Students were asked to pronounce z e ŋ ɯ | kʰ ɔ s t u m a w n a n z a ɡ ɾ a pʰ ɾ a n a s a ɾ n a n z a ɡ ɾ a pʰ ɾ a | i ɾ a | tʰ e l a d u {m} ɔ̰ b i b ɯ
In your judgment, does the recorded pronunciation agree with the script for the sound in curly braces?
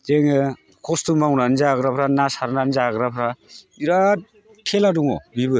no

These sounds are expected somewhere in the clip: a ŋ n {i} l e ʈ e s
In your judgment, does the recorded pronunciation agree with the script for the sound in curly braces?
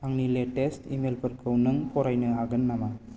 yes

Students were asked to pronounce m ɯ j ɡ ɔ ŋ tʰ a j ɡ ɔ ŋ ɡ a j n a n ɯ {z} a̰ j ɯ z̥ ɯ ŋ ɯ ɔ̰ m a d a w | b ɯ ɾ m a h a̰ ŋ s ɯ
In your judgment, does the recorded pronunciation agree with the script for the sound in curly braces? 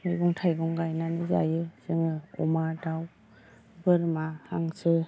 yes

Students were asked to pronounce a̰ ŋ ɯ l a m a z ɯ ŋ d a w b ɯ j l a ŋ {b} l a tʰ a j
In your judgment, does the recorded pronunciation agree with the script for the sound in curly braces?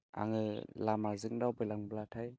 yes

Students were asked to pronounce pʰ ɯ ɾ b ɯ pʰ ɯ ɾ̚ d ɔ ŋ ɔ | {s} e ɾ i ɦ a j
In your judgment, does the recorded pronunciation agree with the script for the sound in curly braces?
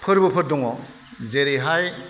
no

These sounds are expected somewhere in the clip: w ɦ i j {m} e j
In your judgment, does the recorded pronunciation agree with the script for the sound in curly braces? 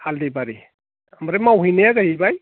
no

